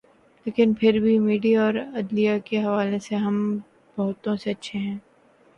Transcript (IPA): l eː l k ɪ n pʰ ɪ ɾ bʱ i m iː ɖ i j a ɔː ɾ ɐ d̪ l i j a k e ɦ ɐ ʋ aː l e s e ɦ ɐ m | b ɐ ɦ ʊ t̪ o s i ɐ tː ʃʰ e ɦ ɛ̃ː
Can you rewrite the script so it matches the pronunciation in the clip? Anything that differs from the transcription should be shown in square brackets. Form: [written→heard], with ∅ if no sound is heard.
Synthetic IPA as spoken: l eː [l→∅] k ɪ n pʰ ɪ ɾ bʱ i m iː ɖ i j a ɔː ɾ ɐ d̪ l i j a k e ɦ ɐ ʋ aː l e s e ɦ ɐ m | b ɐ ɦ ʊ t̪ [o→õ] s [i→e] ɐ tː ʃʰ e ɦ ɛ̃ː